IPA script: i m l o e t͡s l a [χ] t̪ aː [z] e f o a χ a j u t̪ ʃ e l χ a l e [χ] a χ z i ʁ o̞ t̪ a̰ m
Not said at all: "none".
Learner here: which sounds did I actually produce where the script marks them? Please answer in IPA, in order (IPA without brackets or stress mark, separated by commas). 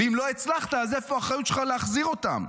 χ, z, none